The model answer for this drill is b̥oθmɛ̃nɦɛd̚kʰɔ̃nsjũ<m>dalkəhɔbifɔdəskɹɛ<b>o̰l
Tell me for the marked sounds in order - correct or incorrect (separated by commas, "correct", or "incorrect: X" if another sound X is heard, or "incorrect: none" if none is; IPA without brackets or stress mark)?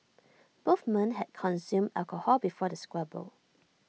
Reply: correct, correct